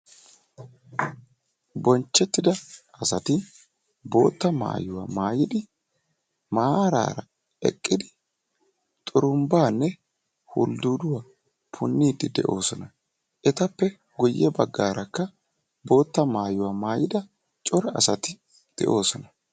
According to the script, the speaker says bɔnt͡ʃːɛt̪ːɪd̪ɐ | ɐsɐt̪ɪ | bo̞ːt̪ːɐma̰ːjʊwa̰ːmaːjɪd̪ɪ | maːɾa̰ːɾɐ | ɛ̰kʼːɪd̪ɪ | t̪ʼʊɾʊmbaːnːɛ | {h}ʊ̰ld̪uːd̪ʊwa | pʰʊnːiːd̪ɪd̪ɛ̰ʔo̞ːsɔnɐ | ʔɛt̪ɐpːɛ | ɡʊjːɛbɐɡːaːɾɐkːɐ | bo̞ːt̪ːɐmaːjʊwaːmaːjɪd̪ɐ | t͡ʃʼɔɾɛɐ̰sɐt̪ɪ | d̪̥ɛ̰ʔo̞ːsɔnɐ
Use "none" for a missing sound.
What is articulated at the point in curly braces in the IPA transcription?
h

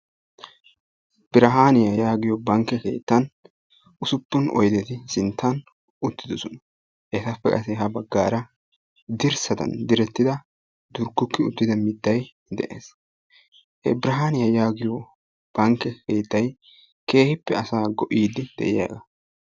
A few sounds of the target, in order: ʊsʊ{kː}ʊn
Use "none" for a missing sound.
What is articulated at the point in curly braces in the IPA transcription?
pː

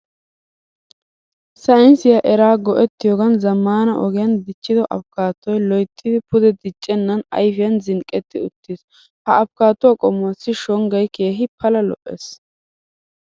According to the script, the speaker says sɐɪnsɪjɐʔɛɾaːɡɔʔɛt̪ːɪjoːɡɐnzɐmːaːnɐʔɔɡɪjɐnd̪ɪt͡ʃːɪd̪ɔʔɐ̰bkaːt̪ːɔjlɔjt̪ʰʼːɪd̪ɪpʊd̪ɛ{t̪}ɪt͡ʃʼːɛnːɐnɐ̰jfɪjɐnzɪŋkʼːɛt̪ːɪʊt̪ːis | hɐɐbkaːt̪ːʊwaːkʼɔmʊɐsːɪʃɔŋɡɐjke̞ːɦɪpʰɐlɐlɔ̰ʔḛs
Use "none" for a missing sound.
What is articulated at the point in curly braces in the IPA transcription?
d̪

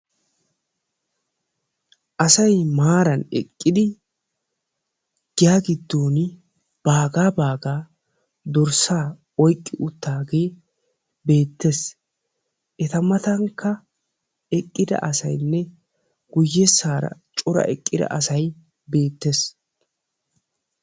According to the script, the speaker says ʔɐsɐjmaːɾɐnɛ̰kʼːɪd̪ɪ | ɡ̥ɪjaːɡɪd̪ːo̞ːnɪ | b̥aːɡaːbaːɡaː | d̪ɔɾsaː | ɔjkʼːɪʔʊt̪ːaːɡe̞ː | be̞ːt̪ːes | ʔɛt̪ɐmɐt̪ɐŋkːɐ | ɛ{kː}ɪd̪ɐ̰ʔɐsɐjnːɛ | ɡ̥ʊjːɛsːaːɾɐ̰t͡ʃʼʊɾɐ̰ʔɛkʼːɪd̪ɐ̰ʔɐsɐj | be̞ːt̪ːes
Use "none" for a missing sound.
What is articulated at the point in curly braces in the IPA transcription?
kʼː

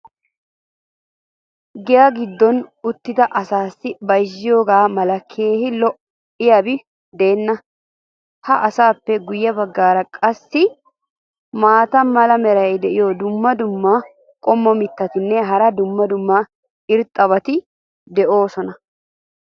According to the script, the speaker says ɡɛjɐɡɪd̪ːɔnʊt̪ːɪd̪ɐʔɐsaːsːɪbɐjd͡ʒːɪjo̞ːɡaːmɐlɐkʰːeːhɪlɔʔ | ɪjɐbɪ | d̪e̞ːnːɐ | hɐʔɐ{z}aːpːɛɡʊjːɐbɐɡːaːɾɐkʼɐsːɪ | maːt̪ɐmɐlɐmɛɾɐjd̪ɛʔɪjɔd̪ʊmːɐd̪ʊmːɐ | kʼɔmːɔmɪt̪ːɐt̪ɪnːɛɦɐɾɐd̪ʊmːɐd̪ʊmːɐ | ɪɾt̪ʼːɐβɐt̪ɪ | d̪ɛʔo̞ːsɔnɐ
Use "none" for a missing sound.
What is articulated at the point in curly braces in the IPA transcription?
s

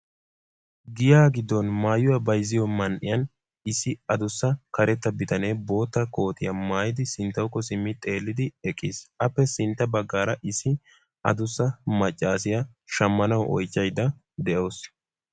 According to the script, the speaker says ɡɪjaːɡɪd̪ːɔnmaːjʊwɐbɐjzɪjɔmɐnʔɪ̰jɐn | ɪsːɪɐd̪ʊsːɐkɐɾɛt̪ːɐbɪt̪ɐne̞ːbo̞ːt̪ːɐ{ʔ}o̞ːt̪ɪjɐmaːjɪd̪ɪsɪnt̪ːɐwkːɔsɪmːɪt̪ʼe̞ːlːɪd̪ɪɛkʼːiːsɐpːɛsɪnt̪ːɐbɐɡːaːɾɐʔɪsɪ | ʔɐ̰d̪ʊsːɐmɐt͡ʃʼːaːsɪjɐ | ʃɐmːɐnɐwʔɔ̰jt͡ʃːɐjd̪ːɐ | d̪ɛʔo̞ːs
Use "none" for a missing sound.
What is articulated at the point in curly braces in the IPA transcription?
k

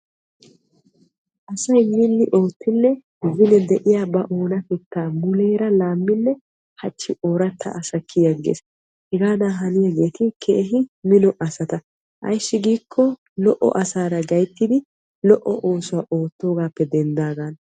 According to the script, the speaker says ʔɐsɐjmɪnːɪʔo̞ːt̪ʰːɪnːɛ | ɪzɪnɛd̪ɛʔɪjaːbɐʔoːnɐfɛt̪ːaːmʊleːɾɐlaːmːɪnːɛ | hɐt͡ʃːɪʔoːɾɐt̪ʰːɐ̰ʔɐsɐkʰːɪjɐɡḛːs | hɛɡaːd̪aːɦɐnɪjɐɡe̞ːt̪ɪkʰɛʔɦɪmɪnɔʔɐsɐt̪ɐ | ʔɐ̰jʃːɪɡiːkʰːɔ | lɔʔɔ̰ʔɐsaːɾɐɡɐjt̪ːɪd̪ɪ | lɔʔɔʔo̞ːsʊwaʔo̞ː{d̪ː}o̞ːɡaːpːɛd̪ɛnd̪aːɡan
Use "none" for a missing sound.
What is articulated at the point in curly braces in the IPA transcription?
t̪ː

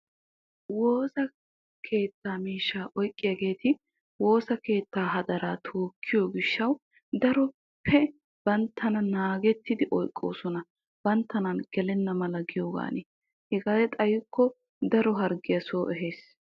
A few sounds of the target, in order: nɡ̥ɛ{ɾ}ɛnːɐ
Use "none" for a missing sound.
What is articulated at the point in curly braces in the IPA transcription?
l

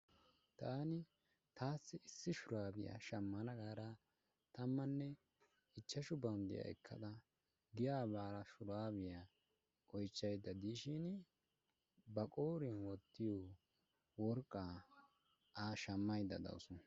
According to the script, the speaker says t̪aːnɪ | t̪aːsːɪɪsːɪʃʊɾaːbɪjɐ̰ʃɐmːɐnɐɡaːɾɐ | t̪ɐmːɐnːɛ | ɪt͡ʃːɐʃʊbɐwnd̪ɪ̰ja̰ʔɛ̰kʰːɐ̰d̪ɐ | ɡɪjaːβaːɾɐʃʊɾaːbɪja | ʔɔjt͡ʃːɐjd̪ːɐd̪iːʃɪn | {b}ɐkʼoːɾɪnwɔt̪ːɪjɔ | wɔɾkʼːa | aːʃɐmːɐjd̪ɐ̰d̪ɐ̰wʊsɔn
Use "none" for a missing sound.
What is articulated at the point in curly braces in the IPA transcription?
b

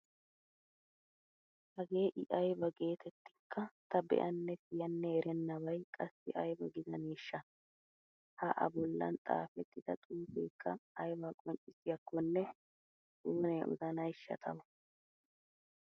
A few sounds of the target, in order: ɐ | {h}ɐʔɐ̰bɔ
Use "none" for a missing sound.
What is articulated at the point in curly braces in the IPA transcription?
h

